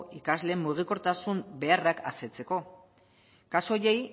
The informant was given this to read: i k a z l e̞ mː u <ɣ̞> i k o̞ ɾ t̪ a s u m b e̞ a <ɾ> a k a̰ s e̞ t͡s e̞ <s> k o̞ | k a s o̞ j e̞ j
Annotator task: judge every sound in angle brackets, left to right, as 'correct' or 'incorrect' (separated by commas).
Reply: correct, incorrect, incorrect